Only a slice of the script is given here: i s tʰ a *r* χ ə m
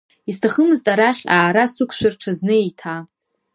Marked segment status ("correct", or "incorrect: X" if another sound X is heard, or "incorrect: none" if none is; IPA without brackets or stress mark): incorrect: none